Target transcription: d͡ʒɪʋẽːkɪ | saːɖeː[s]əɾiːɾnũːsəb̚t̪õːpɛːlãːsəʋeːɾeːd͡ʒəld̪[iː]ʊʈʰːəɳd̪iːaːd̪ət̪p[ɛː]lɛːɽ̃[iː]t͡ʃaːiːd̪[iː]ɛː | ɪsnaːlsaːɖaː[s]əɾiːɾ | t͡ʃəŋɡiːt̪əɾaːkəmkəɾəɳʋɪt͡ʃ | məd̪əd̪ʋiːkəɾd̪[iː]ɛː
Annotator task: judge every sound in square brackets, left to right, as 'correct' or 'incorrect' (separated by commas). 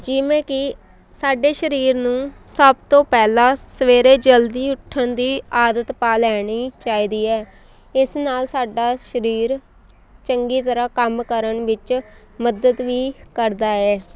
incorrect, correct, incorrect, correct, correct, incorrect, incorrect